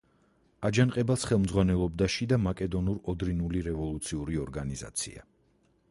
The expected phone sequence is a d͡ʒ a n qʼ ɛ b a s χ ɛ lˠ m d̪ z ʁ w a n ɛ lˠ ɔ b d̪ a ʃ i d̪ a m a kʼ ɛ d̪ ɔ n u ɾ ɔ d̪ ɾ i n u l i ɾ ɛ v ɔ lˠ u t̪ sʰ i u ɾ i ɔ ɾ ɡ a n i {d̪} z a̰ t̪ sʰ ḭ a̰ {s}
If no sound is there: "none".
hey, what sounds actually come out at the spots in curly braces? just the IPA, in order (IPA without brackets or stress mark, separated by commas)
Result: none, none